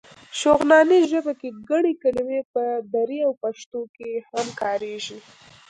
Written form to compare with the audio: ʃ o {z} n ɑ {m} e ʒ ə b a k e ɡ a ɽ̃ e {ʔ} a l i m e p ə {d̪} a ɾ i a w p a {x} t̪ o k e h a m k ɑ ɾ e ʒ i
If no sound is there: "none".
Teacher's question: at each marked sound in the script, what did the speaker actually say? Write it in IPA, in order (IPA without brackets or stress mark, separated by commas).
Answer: ɣ, n, k, d̪, ʃ